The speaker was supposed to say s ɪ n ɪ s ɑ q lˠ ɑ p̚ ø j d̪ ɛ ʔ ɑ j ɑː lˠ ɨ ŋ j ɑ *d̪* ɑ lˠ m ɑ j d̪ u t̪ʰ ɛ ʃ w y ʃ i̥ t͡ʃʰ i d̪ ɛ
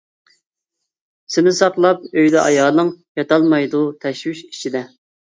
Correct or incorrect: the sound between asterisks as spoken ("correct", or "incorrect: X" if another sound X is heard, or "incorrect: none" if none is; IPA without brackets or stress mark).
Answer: incorrect: t̪